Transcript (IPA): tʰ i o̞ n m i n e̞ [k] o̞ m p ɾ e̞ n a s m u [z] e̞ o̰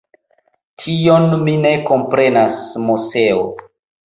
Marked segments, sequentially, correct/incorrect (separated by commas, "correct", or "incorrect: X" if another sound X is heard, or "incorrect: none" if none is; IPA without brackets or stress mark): correct, incorrect: s